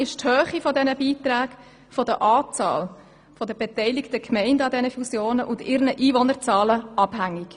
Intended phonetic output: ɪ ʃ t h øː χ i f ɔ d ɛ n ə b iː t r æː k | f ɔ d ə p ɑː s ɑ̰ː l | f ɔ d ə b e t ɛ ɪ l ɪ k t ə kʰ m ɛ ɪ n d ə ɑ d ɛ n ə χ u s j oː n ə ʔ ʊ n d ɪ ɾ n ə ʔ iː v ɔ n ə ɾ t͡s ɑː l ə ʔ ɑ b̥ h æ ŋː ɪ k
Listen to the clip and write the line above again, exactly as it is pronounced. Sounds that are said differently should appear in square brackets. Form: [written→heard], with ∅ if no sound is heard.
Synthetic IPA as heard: ɪ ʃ t h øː χ i f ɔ d ɛ n ə b iː t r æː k | f ɔ d ə [p→ʔ] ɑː [s→t͡s] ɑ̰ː l | f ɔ d ə b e t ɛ ɪ l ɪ k t ə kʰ m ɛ ɪ n d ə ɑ d ɛ n ə [χ→f] u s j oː n ə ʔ ʊ n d ɪ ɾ n ə ʔ iː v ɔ n ə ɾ t͡s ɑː l ə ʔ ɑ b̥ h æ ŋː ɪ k

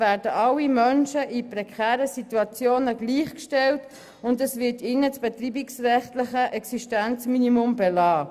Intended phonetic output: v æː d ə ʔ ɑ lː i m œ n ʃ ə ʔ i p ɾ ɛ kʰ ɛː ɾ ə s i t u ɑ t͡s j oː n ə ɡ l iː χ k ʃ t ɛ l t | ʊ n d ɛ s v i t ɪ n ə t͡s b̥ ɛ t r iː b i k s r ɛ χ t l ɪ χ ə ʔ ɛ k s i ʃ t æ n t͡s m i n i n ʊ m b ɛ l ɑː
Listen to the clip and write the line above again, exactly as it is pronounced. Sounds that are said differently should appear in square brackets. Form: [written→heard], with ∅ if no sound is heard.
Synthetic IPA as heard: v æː d ə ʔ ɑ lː i m œ n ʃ ə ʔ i p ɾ ɛ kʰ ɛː ɾ ə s i t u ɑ t͡s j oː n ə ɡ l iː χ k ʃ t ɛ l t | ʊ n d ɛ s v [i→ɪ] t ɪ n ə t͡s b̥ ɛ t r iː b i k s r ɛ χ t l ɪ χ ə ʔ ɛ k s i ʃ t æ n t͡s m i n i [n→m] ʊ m b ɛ l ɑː

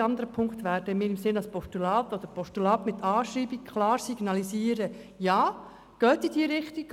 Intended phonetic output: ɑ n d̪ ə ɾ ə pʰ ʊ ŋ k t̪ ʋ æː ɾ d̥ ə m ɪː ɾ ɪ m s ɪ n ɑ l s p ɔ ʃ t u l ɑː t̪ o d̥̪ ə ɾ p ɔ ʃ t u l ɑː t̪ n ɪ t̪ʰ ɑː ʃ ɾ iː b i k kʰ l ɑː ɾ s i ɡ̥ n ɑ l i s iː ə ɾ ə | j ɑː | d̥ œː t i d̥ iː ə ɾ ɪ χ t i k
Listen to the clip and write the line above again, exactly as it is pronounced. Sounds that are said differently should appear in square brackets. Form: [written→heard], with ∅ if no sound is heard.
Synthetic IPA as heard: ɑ n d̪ ə ɾ ə pʰ ʊ ŋ k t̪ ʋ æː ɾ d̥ ə m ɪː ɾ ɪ m s ɪ n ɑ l s p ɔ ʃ t u l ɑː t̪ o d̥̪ ə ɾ p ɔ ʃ t u l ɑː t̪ [n→m] ɪ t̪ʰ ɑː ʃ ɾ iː b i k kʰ l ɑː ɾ s i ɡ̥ n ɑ l i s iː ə ɾ ə | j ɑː | [d̥→ɡ̥] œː t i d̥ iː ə ɾ ɪ χ t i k

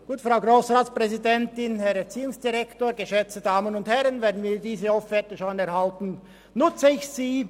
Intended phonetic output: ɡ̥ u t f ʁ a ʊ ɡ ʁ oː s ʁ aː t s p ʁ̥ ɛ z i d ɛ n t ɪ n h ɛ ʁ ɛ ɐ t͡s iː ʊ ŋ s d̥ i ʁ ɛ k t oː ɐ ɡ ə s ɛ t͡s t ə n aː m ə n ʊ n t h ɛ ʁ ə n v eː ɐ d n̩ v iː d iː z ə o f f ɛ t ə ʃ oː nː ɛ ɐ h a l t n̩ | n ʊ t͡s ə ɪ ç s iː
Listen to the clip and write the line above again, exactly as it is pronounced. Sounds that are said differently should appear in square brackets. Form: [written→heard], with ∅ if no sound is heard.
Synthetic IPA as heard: ɡ̥ [u→uː] t f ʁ a ʊ ɡ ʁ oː s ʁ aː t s p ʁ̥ ɛ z i d ɛ n t ɪ n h ɛ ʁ ɛ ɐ t͡s iː ʊ ŋ s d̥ i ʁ ɛ k t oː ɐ ɡ ə [s→ʃ] ɛ t͡s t ə [n→d] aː m ə n ʊ n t h ɛ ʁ ə n v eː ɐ d n̩ v iː d iː z ə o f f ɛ t ə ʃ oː [nː→n] ɛ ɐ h a l t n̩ | n ʊ t͡s ə ɪ ç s iː

